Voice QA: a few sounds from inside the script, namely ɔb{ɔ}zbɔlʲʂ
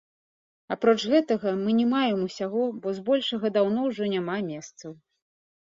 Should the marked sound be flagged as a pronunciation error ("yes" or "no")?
no